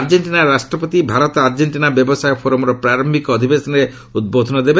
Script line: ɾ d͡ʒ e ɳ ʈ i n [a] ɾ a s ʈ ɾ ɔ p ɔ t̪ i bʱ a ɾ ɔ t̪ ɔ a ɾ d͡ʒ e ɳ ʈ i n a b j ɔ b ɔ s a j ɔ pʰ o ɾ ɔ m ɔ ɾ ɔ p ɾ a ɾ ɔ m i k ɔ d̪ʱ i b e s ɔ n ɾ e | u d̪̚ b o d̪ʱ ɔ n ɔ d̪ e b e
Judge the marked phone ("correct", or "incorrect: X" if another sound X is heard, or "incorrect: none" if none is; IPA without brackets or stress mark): correct